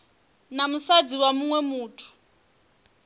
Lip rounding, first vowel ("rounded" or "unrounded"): unrounded